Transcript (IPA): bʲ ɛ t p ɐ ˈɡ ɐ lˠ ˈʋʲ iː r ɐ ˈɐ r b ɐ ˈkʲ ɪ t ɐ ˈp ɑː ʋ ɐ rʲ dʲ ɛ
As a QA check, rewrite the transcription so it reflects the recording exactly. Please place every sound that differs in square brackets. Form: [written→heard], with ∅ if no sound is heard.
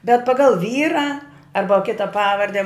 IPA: bʲ ɛ t p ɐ ˈɡ ɐ lˠ ˈʋʲ iː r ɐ ˈɐ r b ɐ ˈkʲ ɪ t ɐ ˈp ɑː ʋ ɐ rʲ dʲ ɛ